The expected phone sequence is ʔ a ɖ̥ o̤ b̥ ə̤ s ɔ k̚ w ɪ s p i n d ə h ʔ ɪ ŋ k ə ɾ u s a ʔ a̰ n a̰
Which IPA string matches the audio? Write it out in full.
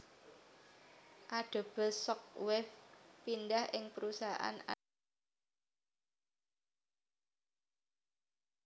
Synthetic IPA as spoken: ʔ a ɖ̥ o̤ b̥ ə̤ s ɔ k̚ w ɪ f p i n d a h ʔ ɪ ŋ p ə ɾ u s a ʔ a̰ n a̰